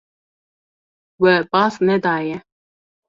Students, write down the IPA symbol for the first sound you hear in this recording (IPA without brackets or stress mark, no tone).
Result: w